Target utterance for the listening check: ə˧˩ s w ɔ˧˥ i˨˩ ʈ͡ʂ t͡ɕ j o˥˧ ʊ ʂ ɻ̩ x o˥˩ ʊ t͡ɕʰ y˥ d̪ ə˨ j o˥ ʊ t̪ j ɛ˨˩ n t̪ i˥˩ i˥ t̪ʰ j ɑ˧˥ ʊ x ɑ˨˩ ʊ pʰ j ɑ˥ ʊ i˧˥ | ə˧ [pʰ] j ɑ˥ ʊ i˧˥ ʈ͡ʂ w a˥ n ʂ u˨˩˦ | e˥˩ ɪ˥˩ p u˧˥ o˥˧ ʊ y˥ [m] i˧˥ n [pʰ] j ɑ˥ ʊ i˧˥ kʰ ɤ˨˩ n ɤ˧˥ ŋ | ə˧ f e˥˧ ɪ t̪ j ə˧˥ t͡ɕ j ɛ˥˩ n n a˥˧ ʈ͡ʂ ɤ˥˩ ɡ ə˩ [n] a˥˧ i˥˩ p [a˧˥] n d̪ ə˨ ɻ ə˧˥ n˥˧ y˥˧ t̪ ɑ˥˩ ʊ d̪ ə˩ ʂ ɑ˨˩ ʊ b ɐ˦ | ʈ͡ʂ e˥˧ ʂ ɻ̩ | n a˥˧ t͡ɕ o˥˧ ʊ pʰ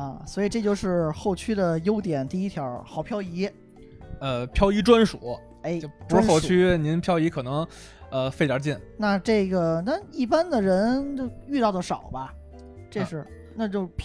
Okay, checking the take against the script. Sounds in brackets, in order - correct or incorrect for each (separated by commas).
correct, incorrect, correct, correct, incorrect